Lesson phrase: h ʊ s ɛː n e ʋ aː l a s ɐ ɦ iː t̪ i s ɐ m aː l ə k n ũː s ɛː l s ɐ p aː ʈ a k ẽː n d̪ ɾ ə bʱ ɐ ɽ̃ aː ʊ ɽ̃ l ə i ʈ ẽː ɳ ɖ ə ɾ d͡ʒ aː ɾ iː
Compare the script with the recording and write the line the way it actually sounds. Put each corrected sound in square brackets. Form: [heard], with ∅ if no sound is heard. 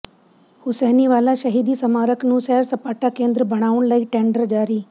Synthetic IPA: h ʊ s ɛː n [i] ʋ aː l a [ʃ] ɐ ɦ iː [d̪] i s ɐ m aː [ɾ] ə k n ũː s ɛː [ɾ] s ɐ p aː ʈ a k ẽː n d̪ ɾ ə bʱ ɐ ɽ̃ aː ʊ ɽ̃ l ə i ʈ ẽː ɳ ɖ ə ɾ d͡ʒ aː ɾ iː